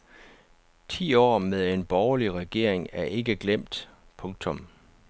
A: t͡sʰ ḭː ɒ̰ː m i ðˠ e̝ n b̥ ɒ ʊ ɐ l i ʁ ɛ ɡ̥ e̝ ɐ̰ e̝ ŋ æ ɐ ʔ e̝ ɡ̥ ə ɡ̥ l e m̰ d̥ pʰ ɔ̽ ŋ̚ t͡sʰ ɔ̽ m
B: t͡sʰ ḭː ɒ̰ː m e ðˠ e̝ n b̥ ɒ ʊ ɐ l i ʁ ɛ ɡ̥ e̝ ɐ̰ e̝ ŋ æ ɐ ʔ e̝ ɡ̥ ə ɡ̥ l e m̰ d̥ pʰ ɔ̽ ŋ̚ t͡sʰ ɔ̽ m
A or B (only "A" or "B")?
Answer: B